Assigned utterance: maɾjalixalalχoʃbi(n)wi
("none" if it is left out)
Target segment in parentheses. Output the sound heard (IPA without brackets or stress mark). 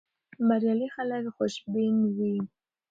n